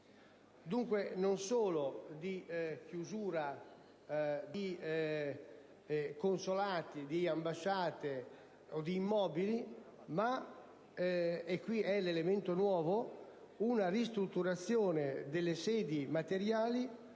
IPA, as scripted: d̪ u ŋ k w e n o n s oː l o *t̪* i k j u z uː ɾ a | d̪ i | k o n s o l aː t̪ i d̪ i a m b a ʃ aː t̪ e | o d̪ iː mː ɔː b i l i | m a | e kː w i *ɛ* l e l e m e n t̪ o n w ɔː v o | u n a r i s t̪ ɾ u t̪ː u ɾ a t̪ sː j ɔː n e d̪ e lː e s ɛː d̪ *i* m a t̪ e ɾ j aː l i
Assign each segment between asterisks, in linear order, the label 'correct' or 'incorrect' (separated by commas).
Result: incorrect, correct, correct